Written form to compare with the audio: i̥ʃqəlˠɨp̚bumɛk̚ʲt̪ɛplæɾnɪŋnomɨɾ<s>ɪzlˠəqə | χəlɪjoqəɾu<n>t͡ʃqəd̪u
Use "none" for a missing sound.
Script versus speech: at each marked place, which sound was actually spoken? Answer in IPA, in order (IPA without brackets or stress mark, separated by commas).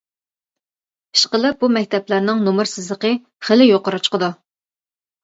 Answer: s, none